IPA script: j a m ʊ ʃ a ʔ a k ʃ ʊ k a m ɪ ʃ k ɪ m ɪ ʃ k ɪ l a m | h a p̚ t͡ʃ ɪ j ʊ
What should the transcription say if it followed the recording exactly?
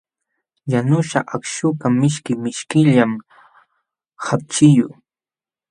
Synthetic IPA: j a n ʊ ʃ a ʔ a k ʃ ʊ k a m ɪ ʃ k ɪ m ɪ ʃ k ɪ ʎ a m | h a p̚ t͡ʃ ɪ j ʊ